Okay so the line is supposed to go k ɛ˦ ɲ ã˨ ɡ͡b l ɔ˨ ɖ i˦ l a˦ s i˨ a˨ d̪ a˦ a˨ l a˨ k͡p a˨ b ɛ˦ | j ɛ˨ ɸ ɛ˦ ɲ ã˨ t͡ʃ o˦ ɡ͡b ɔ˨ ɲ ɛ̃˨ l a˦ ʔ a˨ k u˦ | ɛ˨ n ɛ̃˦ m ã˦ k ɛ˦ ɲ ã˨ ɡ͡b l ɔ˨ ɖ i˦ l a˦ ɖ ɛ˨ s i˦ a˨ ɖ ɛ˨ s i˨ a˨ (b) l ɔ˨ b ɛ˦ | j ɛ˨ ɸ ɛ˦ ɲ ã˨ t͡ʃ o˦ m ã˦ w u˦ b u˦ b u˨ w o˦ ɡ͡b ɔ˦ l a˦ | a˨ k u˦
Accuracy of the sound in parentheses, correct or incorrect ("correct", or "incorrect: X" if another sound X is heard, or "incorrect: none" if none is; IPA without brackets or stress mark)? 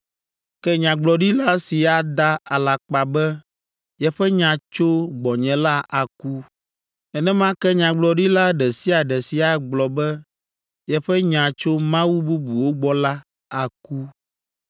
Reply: incorrect: ɡ͡b